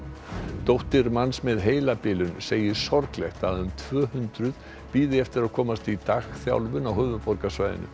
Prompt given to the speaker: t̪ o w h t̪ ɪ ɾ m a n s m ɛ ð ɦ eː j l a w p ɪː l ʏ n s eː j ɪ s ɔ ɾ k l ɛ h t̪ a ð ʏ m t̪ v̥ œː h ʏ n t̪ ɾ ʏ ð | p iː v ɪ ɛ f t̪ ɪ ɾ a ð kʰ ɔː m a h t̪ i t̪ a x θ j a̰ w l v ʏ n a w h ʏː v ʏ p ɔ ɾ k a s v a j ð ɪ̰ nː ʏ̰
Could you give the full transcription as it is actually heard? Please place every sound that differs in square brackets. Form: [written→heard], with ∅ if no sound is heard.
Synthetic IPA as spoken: t̪ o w h t̪ ɪ ɾ m a n s m ɛ ð ɦ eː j l a [w→∅] p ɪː l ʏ n s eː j ɪ s ɔ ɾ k l ɛ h t̪ a ð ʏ m [t̪→t̪ʰ] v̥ œː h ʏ n t̪ ɾ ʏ ð | p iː [v→ð] ɪ ɛ f t̪ ɪ ɾ a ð kʰ ɔː m a [h→s] t̪ i t̪ a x θ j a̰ w l v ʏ n a w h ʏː v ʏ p ɔ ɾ k a s v a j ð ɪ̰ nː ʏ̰